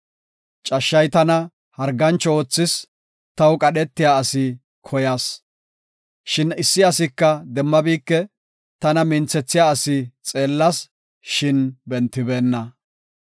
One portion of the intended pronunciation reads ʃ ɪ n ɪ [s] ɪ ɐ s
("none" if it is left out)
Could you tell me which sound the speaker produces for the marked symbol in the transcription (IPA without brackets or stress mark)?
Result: sː